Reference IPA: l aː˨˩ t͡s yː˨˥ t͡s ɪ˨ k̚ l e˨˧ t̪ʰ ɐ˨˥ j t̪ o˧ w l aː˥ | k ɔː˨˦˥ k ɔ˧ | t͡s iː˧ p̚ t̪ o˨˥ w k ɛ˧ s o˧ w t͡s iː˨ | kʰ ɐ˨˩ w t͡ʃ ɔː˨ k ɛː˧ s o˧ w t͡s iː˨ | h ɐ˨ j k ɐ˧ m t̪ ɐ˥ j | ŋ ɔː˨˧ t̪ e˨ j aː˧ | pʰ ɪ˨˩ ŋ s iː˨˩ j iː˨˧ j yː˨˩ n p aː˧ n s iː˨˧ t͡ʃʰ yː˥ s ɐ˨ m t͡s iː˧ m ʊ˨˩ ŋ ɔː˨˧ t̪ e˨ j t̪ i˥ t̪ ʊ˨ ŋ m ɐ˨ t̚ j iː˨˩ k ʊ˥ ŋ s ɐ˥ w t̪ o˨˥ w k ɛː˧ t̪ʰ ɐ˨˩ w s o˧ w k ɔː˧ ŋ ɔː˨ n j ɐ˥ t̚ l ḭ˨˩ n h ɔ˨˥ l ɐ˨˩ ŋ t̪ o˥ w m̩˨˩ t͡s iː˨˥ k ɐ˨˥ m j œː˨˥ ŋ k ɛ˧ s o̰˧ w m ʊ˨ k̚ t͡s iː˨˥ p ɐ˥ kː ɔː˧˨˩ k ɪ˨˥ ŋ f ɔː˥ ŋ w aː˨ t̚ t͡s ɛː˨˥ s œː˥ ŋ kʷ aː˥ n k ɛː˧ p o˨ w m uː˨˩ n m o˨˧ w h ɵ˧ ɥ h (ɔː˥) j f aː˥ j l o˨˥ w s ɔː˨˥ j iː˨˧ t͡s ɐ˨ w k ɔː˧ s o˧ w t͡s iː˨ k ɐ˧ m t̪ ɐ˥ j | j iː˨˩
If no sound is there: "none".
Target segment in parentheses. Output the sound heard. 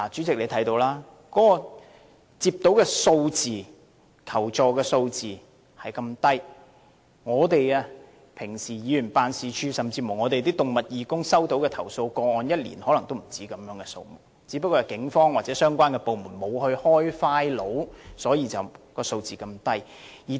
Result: ɔː˥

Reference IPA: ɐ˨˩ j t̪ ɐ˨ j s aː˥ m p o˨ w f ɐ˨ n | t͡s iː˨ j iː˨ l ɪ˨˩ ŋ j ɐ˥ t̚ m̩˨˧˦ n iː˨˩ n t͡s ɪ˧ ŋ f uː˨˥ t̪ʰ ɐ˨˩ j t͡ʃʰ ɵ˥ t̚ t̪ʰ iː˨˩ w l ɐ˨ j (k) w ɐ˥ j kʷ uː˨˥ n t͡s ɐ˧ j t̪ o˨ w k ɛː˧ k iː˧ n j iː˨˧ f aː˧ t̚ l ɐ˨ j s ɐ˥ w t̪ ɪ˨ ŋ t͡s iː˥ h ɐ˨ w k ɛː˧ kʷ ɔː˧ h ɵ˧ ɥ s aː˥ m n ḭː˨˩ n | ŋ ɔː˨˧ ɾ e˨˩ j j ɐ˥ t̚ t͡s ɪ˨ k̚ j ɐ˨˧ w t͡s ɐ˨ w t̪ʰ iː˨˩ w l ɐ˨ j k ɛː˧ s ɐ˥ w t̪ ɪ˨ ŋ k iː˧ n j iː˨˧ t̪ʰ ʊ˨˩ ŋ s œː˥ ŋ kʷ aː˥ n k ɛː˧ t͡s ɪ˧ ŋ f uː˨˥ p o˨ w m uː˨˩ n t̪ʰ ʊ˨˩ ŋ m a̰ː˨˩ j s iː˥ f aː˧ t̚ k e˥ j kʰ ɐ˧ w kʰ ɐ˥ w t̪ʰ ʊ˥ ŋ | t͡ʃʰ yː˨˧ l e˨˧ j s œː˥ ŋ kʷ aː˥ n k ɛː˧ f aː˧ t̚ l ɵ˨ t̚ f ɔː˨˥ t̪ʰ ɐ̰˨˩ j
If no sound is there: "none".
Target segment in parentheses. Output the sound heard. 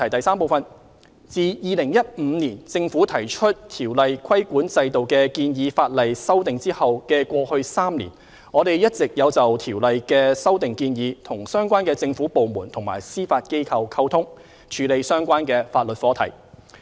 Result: kʰ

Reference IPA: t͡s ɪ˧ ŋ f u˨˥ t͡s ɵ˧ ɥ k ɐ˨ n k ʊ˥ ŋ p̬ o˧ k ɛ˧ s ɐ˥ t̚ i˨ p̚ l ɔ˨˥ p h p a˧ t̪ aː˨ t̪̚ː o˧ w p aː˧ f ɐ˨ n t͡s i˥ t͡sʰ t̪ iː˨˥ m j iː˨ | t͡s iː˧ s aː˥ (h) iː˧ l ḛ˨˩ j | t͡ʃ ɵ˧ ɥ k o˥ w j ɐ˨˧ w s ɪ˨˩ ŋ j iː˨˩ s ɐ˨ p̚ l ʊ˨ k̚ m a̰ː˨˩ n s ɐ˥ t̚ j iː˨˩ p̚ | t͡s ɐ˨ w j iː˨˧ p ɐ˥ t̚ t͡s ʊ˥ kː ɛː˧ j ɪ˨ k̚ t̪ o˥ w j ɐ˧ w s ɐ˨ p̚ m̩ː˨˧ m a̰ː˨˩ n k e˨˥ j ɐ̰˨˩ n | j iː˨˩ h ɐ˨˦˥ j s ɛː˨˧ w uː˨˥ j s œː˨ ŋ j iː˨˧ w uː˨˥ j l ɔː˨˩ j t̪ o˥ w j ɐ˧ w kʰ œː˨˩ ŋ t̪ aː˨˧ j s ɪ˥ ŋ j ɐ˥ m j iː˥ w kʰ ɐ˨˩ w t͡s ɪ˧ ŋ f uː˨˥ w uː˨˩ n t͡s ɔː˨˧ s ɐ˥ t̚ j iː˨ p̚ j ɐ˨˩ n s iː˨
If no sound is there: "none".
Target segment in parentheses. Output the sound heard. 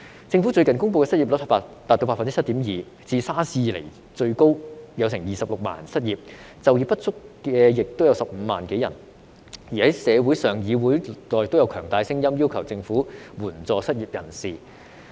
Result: s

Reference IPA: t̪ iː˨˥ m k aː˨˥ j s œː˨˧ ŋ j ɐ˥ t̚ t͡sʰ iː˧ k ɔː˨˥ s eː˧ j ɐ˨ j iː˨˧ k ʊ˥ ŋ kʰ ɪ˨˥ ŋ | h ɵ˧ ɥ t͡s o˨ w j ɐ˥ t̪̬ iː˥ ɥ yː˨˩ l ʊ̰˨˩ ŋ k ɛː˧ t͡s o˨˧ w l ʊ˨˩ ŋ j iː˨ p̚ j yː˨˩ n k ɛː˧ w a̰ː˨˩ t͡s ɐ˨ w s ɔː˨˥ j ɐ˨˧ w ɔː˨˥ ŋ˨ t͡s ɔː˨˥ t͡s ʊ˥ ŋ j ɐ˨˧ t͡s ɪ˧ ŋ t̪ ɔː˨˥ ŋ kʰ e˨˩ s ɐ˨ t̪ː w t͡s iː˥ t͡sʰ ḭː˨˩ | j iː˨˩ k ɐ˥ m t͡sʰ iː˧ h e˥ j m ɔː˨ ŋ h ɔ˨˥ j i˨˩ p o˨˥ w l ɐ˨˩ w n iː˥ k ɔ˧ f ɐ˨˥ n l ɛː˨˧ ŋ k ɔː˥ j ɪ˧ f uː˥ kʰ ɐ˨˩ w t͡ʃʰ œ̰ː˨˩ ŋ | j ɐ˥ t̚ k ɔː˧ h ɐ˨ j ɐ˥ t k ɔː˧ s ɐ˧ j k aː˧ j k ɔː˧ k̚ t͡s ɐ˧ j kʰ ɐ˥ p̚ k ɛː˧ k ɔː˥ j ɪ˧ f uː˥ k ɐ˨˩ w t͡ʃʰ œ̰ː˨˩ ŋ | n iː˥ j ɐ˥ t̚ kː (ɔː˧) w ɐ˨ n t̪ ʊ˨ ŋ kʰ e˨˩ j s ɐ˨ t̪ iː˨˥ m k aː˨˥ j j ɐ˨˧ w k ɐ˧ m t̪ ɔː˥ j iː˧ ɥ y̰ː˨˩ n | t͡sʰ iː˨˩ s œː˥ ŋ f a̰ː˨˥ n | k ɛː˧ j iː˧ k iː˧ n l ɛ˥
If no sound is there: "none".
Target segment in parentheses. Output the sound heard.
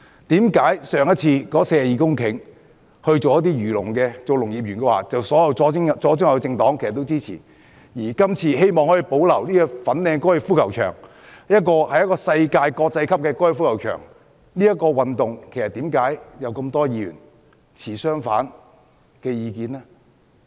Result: ɔː˧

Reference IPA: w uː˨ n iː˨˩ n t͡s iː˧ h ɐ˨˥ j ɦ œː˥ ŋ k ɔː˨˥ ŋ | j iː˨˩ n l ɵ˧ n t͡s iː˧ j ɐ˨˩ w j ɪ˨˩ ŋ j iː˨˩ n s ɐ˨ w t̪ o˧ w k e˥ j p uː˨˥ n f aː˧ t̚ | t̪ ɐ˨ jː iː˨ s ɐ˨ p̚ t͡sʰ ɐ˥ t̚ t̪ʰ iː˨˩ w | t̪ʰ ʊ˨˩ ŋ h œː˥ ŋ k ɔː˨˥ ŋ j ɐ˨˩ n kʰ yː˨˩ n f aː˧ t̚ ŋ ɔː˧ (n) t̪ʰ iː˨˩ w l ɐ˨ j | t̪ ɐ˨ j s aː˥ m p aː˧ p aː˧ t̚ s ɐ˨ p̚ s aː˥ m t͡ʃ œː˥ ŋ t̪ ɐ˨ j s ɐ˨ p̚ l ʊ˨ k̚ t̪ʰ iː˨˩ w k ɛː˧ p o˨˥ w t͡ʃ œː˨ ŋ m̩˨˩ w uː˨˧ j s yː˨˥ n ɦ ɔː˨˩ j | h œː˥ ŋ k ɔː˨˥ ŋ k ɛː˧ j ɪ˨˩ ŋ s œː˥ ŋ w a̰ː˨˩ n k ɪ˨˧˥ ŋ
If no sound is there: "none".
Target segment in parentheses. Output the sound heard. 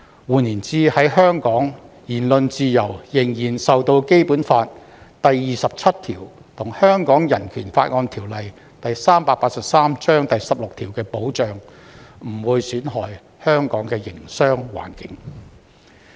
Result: n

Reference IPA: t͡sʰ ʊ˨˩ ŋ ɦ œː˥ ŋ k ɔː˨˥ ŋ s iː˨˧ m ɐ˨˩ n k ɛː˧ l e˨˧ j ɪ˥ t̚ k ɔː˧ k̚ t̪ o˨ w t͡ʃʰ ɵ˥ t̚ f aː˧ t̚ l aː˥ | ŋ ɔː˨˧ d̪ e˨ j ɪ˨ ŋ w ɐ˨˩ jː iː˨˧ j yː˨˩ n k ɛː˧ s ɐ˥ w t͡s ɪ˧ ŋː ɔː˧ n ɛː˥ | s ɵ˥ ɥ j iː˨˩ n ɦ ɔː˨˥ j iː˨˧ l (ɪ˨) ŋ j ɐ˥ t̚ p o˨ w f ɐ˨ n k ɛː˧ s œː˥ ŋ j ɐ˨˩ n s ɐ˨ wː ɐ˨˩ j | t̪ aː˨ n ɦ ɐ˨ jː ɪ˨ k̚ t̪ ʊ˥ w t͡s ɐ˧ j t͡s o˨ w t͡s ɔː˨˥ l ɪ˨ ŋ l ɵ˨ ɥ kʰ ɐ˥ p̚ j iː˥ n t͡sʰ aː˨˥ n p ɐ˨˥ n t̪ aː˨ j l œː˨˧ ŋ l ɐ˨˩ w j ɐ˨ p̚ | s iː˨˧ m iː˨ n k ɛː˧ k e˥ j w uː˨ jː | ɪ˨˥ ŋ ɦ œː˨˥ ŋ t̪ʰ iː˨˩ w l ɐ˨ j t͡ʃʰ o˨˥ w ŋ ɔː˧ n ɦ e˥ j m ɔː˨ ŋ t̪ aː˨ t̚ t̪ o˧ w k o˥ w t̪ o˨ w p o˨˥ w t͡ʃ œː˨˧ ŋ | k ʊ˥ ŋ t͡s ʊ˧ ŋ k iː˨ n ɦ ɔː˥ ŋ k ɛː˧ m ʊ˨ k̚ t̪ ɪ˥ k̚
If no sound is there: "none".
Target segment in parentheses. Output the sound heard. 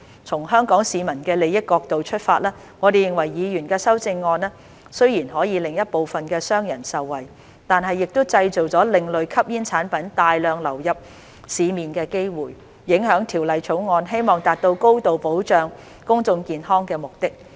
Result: ɪ˨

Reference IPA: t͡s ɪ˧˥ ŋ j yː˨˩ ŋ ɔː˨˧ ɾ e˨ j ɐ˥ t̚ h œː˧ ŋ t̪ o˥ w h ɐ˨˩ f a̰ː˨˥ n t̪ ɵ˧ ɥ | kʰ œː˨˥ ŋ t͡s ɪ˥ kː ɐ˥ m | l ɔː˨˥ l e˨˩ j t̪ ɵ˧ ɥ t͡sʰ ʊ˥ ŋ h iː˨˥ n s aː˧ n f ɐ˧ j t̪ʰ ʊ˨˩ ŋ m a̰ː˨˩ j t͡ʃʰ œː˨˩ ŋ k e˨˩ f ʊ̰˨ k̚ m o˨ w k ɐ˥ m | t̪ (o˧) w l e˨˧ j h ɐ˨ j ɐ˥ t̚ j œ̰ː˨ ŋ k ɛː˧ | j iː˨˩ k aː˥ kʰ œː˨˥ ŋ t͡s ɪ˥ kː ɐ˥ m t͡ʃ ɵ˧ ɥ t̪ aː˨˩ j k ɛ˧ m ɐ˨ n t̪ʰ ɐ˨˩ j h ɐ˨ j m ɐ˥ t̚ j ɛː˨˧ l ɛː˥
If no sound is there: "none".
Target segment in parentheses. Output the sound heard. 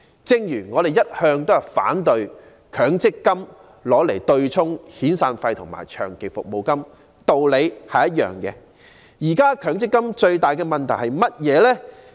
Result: o˧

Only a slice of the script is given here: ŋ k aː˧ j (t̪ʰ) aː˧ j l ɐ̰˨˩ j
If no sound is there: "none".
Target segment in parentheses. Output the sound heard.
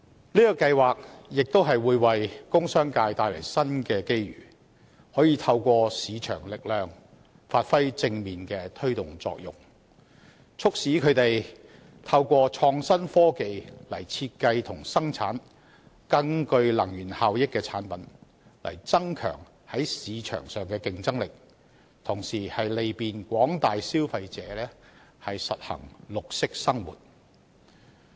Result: t̪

